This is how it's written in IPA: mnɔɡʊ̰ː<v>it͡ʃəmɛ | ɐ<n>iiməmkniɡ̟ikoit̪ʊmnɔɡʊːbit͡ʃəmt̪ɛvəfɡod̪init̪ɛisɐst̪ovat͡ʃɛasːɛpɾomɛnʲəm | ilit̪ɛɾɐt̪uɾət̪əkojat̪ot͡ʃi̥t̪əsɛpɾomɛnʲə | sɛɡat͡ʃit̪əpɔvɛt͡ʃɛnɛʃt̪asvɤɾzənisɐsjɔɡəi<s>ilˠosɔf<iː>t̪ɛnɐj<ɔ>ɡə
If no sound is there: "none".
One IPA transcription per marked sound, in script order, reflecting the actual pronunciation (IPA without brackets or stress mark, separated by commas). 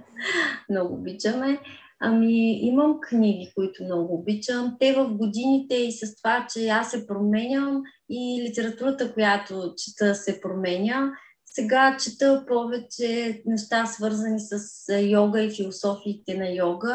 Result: b, m, f, iː, ɔ